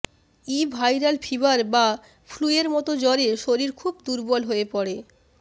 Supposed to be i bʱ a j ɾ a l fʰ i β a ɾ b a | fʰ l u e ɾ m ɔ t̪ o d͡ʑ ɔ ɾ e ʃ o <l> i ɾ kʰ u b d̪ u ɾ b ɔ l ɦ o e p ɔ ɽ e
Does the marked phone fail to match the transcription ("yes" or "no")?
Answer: yes